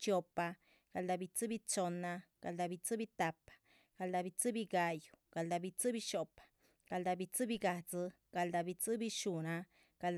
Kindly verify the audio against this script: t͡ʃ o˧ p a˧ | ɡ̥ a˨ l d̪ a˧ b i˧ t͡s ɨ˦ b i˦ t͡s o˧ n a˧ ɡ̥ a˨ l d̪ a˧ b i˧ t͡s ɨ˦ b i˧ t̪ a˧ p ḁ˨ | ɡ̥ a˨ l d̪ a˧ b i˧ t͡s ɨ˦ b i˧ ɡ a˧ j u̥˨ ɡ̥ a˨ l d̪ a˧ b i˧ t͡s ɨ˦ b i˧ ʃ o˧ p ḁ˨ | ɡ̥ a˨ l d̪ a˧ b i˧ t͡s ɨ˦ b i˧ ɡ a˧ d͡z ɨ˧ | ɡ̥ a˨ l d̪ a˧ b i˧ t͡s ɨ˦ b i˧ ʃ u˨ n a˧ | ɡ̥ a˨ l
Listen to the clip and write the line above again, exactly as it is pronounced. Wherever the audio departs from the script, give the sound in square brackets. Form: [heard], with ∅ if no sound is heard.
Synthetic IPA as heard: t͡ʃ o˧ p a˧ | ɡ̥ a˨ l d̪ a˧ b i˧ t͡s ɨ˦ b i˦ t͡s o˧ n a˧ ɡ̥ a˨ l d̪ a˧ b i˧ t͡s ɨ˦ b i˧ t̪ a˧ p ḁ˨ | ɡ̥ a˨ l d̪ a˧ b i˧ t͡s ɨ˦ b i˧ ɡ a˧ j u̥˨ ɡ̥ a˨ l d̪ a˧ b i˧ t͡s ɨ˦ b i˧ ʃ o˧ p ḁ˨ | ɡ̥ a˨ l d̪ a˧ b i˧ t͡s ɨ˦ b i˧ ɡ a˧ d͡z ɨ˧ | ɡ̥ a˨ l d̪ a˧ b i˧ t͡s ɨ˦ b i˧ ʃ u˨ n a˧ | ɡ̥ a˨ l